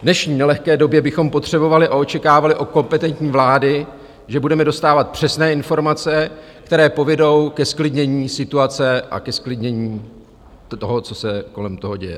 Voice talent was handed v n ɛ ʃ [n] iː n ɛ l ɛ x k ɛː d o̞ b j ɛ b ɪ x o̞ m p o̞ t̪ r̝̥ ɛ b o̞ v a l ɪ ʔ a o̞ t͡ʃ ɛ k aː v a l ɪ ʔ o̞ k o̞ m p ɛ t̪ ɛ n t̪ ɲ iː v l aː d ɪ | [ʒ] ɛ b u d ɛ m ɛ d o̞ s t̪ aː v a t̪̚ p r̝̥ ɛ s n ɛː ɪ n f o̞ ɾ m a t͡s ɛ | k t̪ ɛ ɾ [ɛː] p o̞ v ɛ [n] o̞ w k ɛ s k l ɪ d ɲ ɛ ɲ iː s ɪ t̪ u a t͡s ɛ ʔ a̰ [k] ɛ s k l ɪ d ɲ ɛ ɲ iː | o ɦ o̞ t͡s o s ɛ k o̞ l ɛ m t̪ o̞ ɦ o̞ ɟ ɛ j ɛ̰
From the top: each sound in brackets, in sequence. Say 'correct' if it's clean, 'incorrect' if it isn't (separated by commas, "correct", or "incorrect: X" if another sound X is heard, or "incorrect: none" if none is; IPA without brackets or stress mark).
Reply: incorrect: ɲ, correct, correct, incorrect: d, correct